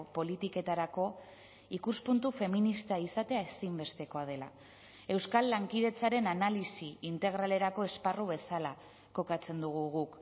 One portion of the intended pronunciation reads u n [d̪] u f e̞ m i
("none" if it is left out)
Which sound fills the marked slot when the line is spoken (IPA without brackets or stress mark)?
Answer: t̪